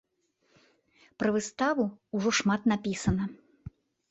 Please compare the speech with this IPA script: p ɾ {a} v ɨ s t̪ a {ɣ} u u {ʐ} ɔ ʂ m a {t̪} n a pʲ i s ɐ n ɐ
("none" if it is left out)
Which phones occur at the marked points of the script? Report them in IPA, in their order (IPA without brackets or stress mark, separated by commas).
ɐ, v, ʐ, t̪